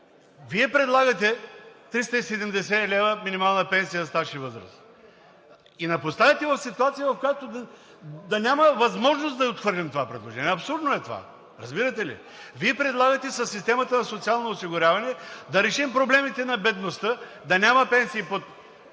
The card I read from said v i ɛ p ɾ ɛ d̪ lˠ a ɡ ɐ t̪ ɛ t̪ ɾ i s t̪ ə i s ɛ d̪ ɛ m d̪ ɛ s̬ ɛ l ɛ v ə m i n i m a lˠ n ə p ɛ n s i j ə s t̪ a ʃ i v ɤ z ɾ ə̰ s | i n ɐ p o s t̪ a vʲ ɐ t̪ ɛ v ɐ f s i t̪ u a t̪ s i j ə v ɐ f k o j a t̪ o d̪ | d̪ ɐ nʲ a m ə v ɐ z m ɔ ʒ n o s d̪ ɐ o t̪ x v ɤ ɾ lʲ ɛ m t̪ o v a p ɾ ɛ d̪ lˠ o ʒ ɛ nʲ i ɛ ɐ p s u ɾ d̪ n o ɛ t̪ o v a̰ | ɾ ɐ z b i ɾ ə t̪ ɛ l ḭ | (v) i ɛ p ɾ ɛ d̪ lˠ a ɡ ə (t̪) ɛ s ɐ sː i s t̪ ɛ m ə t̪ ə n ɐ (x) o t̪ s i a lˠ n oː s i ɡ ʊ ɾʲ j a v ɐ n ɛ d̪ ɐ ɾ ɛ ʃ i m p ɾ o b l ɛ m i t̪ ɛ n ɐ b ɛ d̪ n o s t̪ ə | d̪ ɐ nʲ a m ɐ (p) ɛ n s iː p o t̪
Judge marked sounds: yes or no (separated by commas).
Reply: yes, yes, no, yes